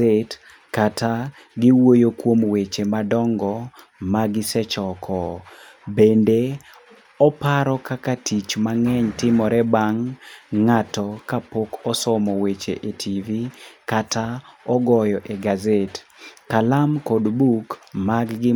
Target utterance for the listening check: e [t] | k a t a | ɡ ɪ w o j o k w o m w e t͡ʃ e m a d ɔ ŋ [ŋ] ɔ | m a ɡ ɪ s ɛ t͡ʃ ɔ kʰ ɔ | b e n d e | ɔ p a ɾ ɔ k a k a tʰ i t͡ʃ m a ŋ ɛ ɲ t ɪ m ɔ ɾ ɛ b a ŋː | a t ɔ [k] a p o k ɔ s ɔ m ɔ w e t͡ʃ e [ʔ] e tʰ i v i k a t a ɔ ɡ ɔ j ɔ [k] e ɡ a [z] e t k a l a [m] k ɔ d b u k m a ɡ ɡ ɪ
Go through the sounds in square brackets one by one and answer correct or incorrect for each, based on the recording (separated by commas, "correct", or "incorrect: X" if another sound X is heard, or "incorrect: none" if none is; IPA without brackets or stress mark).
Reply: correct, incorrect: ɡ, correct, correct, incorrect: ʔ, correct, correct